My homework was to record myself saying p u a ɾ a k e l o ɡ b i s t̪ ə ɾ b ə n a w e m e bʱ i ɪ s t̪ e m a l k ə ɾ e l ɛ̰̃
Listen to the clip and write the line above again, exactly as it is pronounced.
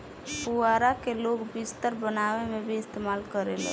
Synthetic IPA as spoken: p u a ɾ a k e l o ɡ b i s t̪ ə ɾ b ə n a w e m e bʱ i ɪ s t̪ e m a l k ə ɾ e l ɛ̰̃